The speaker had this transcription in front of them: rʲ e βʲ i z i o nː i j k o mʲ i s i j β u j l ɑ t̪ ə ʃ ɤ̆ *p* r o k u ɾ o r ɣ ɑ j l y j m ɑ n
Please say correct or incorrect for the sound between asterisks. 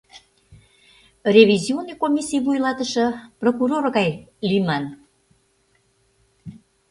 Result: correct